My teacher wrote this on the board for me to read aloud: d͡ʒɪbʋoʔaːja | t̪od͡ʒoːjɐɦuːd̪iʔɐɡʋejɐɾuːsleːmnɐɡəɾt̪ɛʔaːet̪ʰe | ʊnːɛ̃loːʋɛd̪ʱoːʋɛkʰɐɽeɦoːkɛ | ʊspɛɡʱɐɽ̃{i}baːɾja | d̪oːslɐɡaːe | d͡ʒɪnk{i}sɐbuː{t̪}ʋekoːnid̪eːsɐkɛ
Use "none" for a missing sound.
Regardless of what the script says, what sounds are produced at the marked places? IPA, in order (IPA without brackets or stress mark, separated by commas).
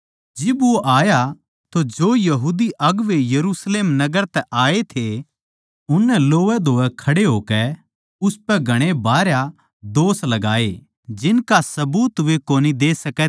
e, a, t̪